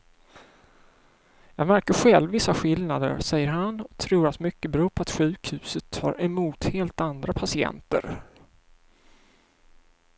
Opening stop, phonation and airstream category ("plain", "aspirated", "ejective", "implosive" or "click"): plain